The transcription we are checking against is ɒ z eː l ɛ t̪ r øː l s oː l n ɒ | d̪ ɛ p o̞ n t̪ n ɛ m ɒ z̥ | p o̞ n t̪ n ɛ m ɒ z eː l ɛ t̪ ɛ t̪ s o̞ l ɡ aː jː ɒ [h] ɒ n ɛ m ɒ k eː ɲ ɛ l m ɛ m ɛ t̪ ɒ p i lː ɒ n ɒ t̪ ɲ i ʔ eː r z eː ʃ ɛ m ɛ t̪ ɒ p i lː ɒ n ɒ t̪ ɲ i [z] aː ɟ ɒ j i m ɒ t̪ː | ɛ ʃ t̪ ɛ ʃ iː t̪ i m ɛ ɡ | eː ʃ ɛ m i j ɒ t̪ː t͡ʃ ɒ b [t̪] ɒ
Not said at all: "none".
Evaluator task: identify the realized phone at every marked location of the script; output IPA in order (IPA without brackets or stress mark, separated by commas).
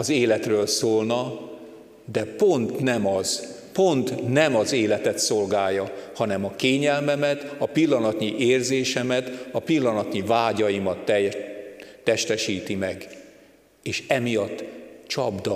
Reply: h, v, d̪